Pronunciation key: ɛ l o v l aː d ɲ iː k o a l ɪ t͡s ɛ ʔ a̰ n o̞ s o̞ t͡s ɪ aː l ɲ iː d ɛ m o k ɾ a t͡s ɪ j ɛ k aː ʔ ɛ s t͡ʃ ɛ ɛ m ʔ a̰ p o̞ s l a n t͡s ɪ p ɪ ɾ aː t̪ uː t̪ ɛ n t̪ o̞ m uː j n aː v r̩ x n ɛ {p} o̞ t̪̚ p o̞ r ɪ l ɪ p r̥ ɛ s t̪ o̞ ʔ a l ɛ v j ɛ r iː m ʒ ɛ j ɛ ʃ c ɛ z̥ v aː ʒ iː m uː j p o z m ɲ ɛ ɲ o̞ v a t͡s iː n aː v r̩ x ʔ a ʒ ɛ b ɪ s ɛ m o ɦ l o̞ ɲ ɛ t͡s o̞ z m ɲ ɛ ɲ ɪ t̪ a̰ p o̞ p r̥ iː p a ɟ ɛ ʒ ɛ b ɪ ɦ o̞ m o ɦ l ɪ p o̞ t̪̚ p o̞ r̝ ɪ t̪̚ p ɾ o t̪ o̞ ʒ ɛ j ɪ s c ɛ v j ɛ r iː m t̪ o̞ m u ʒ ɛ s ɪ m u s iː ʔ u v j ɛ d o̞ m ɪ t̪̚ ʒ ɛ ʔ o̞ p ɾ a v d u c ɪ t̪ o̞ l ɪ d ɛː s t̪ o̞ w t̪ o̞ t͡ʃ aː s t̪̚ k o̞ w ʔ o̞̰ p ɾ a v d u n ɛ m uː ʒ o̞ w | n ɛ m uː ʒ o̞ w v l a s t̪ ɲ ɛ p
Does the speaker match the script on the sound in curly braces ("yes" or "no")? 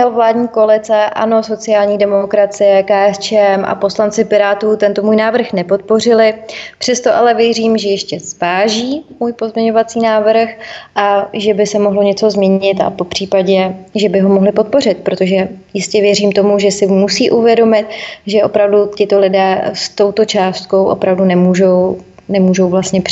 yes